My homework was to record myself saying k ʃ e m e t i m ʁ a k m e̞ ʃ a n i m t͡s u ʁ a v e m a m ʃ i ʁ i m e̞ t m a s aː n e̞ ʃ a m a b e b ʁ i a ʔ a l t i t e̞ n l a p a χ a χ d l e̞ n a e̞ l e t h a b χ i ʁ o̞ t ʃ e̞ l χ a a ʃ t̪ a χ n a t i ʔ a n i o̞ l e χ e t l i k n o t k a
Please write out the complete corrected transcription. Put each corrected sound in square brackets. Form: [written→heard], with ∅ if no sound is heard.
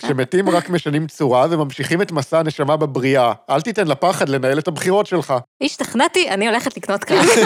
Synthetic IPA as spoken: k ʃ e m e t i m ʁ a k m e̞ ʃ a n i m t͡s u ʁ a v e m a m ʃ i [ʁ→χ] i m e̞ t m a s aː n e̞ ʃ a m a b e b ʁ i a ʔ a l t i t e̞ n l a p a χ a [χ→∅] d l e̞ n a e̞ l e t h a b χ i ʁ o̞ t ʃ e̞ l χ a [a→i] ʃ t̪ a χ n a t i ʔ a n i o̞ l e χ e t l i k n o t k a